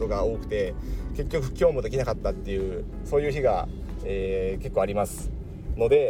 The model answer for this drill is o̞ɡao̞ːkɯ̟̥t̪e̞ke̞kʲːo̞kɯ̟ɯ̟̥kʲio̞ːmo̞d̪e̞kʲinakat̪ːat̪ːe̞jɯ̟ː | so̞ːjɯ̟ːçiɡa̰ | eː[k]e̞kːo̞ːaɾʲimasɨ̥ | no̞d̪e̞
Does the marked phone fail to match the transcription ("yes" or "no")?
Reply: no